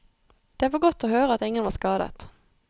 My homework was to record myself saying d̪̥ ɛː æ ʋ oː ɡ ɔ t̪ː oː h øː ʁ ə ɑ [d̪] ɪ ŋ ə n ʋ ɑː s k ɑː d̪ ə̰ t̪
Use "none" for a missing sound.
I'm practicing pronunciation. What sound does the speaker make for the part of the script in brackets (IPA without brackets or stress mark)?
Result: t̪